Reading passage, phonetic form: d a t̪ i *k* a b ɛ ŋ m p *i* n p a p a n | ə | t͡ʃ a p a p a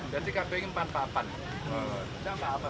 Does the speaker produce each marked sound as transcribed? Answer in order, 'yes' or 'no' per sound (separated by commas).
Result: yes, no